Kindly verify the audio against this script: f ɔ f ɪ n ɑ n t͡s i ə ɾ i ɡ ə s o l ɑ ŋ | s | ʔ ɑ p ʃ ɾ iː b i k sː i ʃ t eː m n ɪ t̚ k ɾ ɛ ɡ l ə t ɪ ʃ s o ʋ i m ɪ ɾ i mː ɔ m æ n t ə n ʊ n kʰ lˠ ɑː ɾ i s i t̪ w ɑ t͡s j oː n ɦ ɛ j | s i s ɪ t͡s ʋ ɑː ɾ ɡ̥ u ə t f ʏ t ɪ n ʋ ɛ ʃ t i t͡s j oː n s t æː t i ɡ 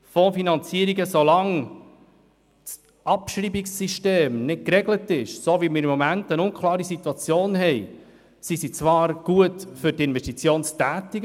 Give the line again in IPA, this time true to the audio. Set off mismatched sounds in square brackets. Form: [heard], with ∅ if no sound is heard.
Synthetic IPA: f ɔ f [i] n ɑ n t͡s i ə ɾ i ɡ ə s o l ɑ ŋ | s | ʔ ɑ p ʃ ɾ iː b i k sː i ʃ t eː m n ɪ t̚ k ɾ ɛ ɡ l ə t ɪ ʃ s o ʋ i m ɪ ɾ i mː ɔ m æ n t ə n ʊ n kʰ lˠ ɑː ɾ i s i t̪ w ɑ t͡s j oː n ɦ ɛ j | s i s [i] t͡s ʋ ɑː ɾ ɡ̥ u ə t f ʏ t ɪ n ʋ ɛ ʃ t i t͡s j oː n s t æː t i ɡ